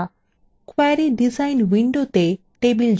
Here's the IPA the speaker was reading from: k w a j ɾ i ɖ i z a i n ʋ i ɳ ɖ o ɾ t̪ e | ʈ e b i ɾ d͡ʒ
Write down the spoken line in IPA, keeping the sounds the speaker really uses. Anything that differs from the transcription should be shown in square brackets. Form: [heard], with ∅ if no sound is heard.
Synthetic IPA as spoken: k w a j ɾ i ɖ i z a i n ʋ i ɳ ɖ o [∅] t̪ e | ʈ e b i [l] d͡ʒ